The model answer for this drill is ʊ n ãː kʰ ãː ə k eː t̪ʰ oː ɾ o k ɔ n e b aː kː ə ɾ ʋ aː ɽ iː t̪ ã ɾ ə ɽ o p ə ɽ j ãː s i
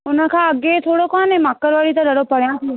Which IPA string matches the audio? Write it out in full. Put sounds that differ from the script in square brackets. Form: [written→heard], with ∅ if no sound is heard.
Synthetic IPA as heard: ʊ n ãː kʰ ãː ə [k→ɡ] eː t̪ʰ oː [ɾ→ɽ] o k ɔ n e [b→m] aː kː ə ɾ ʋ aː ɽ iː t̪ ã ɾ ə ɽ o p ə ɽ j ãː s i